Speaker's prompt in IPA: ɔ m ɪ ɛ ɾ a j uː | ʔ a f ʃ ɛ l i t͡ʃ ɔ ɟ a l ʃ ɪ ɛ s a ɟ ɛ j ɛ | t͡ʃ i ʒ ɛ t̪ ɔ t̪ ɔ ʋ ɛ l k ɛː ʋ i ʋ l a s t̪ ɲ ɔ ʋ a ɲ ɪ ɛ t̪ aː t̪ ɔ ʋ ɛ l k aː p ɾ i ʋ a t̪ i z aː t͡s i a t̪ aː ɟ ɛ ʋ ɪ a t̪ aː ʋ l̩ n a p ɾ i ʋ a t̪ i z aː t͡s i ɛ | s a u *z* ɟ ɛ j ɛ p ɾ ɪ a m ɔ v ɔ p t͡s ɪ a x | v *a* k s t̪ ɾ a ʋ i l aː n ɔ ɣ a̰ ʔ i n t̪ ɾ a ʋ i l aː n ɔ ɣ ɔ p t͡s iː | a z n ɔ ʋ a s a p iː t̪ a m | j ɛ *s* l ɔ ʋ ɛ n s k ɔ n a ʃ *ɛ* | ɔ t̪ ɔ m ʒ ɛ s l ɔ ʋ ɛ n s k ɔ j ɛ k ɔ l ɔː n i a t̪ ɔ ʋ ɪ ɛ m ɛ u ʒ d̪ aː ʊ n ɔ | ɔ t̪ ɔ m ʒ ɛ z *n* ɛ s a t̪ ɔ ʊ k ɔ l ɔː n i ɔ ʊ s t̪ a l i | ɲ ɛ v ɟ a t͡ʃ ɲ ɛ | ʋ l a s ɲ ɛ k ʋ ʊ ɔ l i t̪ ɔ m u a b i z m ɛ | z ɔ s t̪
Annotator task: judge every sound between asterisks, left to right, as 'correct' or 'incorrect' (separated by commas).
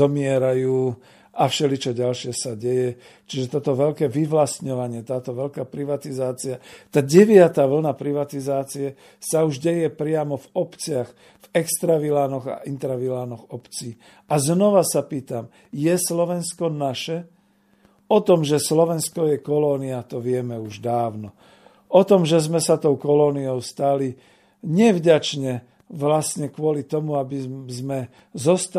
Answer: incorrect, incorrect, correct, correct, incorrect